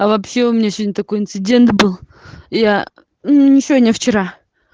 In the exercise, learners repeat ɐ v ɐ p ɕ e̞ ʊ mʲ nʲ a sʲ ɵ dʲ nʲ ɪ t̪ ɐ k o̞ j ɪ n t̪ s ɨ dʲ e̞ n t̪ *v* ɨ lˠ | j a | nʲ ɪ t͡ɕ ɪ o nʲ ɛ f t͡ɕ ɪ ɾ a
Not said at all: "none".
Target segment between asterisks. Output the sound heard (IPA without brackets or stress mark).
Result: b